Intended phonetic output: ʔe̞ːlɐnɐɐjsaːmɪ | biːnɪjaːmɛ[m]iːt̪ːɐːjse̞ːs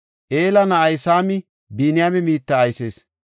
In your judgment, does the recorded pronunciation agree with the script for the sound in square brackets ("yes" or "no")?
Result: yes